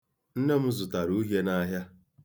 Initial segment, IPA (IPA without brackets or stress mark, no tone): n̩